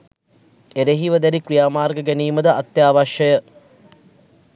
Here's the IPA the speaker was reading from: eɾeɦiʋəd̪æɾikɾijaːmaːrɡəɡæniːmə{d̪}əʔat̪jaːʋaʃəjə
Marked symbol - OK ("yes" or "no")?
yes